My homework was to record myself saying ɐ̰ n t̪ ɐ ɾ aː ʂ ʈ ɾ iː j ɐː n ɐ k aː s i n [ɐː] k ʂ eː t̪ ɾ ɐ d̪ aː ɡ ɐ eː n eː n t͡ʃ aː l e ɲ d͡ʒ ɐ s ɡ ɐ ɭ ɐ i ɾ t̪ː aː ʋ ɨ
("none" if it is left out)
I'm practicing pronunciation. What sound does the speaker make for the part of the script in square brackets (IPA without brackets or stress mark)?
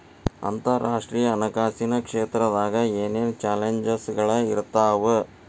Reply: ɐ